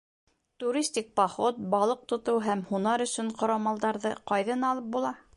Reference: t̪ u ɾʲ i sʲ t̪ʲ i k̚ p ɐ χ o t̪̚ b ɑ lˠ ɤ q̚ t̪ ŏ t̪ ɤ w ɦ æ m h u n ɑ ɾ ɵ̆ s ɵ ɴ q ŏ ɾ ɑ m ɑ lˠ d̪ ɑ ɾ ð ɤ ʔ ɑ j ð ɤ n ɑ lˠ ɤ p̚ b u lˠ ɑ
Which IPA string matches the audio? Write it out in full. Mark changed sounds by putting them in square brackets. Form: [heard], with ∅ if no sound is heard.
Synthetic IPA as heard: t̪ u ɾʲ i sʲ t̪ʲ i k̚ p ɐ χ o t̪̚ b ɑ lˠ ɤ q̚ t̪ ŏ t̪ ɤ w ɦ æ m h u n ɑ ɾ ɵ̆ s ɵ ɴ q ŏ ɾ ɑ m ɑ lˠ d̪ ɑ ɾ ð ɤ [q] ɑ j ð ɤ n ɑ lˠ ɤ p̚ b u lˠ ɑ